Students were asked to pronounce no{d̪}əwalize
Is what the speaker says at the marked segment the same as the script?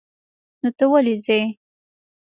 no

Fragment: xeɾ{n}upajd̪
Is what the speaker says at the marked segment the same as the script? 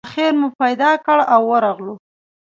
no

